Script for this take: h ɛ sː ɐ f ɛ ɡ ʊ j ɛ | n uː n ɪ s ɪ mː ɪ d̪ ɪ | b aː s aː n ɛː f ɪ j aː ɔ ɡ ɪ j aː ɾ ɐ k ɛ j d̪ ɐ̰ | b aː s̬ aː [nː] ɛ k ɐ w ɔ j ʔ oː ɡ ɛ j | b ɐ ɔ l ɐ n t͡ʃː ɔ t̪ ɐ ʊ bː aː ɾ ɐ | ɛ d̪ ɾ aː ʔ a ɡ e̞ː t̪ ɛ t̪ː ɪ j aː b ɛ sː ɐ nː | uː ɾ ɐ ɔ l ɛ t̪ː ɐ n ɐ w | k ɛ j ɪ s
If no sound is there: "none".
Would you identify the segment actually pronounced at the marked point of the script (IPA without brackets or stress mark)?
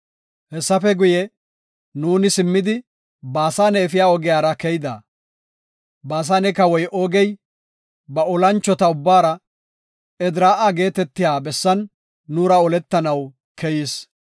n